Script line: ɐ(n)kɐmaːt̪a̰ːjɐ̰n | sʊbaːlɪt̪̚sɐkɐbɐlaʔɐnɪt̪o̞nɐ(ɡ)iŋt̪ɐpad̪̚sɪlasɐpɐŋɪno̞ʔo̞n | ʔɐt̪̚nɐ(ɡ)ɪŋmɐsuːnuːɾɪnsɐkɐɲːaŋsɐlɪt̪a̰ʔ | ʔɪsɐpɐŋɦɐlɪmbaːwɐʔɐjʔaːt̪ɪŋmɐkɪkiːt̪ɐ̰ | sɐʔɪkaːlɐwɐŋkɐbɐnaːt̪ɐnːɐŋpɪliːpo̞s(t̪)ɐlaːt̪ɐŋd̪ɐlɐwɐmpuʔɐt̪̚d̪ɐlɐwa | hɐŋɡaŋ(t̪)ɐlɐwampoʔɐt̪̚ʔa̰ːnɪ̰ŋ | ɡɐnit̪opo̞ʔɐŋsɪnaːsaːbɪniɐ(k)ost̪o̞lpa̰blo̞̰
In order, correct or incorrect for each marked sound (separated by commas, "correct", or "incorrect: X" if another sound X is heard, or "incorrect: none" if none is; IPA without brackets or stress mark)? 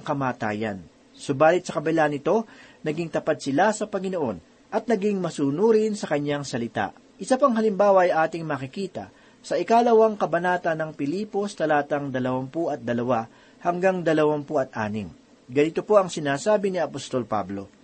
incorrect: ŋ, correct, correct, correct, incorrect: d̪, incorrect: p